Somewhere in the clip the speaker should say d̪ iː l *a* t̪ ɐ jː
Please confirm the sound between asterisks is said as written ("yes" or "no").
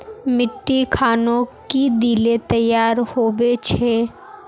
no